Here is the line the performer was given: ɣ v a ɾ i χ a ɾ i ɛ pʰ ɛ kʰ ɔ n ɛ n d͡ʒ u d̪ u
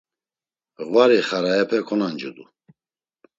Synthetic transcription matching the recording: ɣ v a ɾ i χ a ɾ a ɛ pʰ ɛ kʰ ɔ n a n d͡ʒ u d̪ u